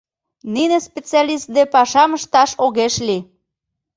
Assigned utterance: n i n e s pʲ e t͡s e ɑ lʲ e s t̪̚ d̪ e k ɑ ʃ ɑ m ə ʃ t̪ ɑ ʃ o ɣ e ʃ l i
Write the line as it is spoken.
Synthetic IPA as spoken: n i n e s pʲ e t͡s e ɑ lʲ i s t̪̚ d̪ e p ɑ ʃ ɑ m ə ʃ t̪ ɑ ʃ o ɣ e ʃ l i